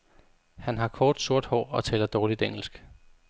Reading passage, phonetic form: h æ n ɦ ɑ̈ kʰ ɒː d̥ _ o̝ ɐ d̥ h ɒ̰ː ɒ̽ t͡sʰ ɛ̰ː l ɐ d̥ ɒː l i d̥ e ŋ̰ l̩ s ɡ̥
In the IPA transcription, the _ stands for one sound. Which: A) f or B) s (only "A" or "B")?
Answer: B